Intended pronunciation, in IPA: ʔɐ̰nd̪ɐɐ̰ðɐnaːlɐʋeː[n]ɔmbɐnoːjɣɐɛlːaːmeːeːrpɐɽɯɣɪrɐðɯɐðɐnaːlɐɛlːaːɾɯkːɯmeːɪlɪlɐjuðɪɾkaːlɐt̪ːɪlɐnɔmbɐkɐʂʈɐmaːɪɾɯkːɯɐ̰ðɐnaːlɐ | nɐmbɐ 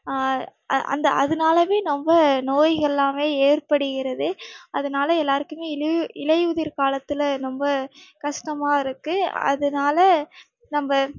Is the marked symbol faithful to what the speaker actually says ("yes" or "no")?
yes